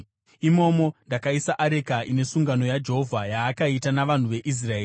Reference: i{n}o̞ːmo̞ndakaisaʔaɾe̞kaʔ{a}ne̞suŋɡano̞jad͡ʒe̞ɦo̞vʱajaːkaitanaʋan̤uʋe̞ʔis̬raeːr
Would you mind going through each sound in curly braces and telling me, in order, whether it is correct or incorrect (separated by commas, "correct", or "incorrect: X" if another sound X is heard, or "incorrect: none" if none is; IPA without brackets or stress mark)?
incorrect: m, incorrect: i